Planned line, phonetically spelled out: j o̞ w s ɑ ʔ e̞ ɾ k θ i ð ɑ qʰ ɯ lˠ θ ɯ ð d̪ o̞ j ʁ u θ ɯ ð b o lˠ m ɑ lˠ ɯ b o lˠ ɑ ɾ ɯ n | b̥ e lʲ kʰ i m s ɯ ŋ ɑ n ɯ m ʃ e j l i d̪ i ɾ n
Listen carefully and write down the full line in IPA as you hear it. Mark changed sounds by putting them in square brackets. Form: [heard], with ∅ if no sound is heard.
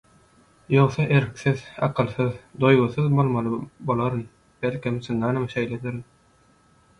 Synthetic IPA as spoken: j o̞ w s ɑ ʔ e̞ ɾ k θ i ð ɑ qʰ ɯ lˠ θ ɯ ð d̪ o̞ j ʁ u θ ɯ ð b o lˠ m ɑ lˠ ɯ b o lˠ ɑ ɾ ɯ n | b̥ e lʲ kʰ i m s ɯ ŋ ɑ n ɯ m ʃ e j l [e] d̪ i ɾ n